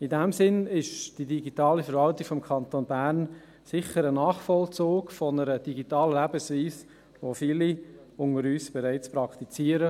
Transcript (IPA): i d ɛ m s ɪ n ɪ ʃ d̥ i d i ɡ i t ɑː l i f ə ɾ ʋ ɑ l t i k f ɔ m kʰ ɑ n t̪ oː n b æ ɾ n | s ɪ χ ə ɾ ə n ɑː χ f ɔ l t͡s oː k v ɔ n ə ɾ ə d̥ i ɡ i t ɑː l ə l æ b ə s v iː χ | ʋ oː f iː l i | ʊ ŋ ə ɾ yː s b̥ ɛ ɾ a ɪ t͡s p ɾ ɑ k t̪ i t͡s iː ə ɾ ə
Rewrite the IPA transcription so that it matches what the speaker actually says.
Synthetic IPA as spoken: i d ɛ m s ɪ n ɪ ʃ d̥ i d i ɡ i t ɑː l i f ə ɾ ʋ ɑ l t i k f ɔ m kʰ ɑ n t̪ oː n b æ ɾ n | s ɪ χ ə ɾ ə n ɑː χ f ɔ l t͡s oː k f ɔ n ə ɾ ə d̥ i ɡ i t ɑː l ə l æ b ə s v iː s | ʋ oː f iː l i | ʊ ŋ ə ɾ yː s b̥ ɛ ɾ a ɪ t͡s p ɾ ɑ k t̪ i t͡s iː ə ɾ ə